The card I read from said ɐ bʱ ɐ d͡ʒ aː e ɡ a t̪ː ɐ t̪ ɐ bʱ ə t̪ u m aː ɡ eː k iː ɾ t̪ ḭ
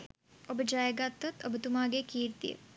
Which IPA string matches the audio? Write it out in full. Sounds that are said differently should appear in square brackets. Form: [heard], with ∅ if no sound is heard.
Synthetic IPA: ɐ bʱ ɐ d͡ʒ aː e ɡ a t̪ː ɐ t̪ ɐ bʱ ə t̪ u m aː ɡ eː k iː ɾ t̪ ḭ

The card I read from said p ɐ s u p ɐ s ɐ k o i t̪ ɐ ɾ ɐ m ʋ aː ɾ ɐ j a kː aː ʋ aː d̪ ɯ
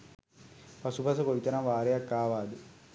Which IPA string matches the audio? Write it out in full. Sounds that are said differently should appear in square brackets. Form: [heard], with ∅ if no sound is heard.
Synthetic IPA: p ɐ s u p ɐ s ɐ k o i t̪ ɐ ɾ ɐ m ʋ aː ɾ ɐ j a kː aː ʋ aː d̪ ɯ

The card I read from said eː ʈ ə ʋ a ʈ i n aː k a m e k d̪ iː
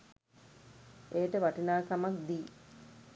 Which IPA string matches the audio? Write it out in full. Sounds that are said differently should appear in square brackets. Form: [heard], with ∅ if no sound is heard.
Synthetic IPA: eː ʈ ə ʋ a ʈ i n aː k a m [a] k d̪ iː

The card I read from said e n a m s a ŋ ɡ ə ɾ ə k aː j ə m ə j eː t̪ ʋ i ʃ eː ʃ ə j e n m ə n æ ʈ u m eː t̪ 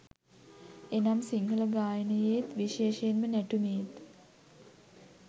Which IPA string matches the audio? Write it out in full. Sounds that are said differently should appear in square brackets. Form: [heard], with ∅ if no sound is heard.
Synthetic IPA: e n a m s [i] ŋ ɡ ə [l] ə [ɡ] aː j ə [n] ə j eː t̪ ʋ i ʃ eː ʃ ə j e n m ə n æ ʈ u m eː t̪

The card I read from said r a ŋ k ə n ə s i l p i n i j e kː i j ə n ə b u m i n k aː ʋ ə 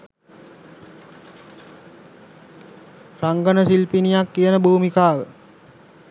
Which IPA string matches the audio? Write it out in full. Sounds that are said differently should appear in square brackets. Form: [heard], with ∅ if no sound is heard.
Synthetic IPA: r a ŋ [ɡ] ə n ə s i l p i n i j [a] kː i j ə n ə b [uː] m i [∅] k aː ʋ ə

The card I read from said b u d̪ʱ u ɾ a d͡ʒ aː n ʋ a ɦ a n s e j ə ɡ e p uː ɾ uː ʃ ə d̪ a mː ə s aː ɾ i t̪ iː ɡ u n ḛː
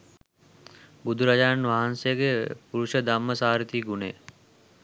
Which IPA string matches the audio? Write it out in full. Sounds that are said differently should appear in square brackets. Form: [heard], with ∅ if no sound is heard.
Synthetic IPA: b u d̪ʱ u ɾ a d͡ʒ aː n ʋ a ɦ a n s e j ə ɡ e p [u] ɾ [u] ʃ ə d̪ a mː ə s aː ɾ i t̪ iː ɡ u n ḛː

